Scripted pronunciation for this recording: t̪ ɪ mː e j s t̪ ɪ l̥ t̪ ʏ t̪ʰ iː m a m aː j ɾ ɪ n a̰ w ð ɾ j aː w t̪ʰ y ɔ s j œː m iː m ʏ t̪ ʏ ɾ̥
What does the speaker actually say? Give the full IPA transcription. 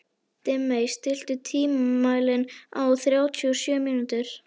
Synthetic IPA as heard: t̪ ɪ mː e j s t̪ ɪ l̥ t̪ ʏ t̪ʰ iː m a m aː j l ɪ n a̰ w θ ɾ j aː w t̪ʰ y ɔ s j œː m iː n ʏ t̪ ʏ ɾ̥